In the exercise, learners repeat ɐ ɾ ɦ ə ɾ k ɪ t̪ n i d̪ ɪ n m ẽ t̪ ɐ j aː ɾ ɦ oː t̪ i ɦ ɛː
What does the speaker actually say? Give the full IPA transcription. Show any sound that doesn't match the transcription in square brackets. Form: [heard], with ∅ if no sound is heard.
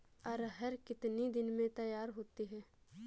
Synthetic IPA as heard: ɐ ɾ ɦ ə ɾ k ɪ t̪ n i d̪ ɪ n m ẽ t̪ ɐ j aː ɾ ɦ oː t̪ i ɦ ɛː